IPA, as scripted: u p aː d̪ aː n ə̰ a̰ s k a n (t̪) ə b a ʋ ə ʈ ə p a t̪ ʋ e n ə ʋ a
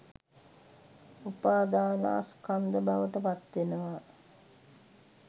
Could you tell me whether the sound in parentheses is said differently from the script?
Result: yes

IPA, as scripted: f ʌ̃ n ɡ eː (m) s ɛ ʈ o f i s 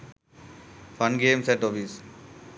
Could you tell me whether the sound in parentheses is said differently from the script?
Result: no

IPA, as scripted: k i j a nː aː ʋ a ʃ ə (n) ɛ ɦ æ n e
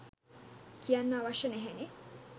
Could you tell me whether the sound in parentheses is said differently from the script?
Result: no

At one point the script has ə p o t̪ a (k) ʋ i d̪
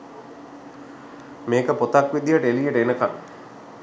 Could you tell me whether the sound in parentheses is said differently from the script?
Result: no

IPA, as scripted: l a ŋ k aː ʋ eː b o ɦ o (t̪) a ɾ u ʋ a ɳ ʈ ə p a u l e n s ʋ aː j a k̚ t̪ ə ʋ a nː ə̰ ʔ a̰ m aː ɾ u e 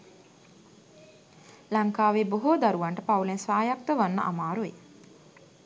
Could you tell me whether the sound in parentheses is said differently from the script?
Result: yes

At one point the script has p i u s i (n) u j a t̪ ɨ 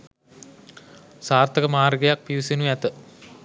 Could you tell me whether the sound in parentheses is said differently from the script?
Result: no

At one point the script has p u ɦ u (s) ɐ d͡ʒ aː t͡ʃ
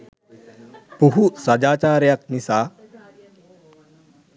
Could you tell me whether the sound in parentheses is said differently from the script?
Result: no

